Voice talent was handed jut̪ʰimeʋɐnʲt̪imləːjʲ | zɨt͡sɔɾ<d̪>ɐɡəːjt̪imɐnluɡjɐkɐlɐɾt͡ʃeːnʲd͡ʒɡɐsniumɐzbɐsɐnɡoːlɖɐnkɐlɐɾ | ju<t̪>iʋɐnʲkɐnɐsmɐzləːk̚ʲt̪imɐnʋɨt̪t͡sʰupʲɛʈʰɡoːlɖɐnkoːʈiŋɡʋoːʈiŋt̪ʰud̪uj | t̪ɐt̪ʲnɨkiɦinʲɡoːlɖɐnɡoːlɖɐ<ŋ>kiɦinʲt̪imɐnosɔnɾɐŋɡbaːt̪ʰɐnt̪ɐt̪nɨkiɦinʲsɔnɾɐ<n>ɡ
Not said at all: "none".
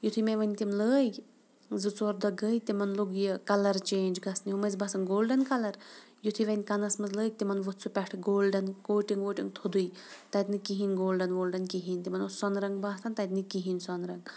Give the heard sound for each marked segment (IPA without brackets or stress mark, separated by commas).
d̪, t̪ʰ, n, ŋ